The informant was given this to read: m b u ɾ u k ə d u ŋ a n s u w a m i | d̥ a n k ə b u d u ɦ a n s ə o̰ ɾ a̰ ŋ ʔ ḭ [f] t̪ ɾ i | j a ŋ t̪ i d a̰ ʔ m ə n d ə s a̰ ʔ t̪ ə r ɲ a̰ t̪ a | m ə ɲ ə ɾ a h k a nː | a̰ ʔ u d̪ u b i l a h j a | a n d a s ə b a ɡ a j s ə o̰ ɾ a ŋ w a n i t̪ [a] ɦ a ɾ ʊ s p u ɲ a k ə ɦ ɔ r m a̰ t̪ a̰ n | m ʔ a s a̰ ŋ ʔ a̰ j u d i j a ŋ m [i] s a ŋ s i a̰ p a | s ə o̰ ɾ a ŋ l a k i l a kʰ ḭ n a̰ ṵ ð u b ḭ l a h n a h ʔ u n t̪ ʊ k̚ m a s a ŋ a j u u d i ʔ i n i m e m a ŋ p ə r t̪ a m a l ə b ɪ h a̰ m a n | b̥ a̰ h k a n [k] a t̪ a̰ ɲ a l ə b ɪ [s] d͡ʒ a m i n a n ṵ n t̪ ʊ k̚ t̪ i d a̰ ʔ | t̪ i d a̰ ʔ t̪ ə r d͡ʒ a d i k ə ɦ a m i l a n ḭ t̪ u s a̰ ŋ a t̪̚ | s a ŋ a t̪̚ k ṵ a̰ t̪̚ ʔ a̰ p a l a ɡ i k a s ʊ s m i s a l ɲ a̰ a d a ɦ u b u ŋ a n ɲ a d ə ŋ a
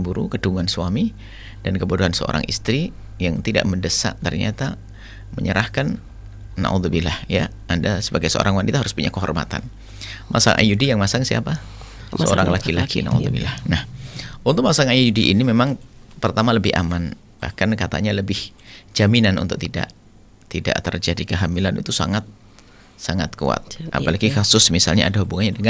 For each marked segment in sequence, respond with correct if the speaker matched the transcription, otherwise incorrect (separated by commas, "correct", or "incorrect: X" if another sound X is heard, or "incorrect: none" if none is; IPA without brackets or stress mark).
incorrect: s, correct, incorrect: a, correct, incorrect: h